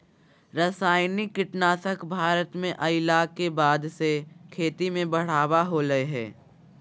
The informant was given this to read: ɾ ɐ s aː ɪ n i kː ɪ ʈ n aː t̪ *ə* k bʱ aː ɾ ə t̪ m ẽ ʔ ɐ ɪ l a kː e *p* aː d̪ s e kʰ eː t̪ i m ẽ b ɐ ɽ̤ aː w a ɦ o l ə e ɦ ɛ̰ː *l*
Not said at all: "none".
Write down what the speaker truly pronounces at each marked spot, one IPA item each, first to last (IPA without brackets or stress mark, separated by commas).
ə, b, none